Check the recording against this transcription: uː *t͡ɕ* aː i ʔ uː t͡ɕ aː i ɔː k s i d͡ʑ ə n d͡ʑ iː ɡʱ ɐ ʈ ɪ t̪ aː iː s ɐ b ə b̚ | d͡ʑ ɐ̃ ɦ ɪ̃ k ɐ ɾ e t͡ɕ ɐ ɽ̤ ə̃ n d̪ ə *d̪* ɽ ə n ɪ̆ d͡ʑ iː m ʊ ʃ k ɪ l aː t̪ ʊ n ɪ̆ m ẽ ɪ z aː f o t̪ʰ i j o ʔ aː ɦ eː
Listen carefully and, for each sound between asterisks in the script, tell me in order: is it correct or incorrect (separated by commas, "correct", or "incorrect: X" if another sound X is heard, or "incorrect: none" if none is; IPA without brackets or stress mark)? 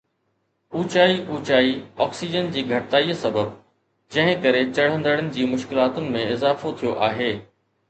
correct, incorrect: none